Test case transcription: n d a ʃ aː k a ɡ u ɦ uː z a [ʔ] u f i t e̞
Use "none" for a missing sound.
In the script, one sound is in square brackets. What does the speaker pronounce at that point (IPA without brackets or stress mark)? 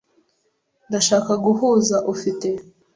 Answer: ʔ